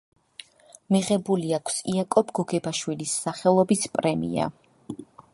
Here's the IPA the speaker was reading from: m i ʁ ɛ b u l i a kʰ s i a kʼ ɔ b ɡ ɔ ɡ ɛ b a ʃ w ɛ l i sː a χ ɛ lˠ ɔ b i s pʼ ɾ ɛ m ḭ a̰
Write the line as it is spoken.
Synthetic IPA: m i ʁ ɛ b u l i a kʰ s i a kʼ ɔ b ɡ ɔ ɡ ɛ b a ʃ w i l i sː a χ ɛ lˠ ɔ b i s pʼ ɾ ɛ m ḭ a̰